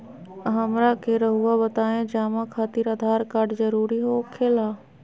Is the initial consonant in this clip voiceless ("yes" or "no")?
no